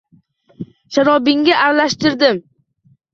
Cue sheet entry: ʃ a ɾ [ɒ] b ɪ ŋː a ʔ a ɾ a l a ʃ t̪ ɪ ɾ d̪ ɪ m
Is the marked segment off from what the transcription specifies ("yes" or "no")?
no